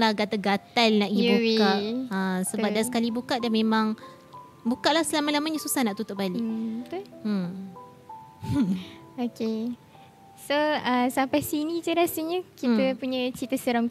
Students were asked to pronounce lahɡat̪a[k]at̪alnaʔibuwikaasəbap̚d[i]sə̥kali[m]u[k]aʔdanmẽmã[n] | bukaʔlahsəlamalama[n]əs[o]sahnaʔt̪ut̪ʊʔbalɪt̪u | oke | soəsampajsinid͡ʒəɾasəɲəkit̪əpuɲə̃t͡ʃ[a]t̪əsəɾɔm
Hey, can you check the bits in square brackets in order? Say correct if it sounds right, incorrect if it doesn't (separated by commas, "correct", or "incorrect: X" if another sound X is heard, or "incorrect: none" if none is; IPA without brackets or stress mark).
incorrect: ɡ, incorrect: a, incorrect: b, correct, incorrect: ŋ, incorrect: ɲ, incorrect: u, incorrect: i